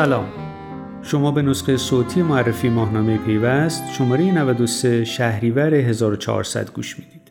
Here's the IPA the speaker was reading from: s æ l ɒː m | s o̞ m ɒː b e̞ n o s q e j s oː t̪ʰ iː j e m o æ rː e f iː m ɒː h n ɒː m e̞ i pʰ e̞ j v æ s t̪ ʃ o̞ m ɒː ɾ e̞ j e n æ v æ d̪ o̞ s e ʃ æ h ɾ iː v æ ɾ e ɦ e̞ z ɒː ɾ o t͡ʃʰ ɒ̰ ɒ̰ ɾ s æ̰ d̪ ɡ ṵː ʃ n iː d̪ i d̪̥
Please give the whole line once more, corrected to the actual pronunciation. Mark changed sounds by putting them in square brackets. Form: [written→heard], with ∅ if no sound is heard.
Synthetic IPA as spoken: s æ l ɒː m | [s→ʃ] o̞ m ɒː b e̞ n o s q e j s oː t̪ʰ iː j e m o æ rː e f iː m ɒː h n ɒː m e̞ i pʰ e̞ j v æ s t̪ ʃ o̞ m ɒː ɾ e̞ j e n æ v æ d̪ o̞ s e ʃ æ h ɾ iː v æ ɾ e ɦ e̞ z ɒː ɾ o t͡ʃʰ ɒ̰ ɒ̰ ɾ s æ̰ d̪ ɡ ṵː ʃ [n→m] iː d̪ i d̪̥